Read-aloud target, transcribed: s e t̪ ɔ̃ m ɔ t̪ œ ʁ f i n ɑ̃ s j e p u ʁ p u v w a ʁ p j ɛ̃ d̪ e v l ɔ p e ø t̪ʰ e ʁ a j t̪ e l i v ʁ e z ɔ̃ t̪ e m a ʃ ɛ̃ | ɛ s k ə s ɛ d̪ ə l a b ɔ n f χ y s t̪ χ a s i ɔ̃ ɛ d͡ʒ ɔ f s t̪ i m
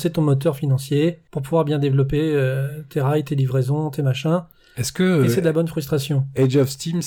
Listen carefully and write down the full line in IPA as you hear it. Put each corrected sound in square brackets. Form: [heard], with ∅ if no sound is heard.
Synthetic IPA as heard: s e t̪ ɔ̃ m ɔ t̪ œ ʁ f i n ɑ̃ s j e p u ʁ p u v w a ʁ [b] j ɛ̃ d̪ e v l ɔ p e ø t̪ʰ e ʁ a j t̪ e l i v ʁ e z ɔ̃ t̪ e m a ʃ ɛ̃ | ɛ s k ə s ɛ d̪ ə l a b ɔ n f χ y s t̪ χ a s [j] ɔ̃ ɛ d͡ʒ ɔ f s t̪ i m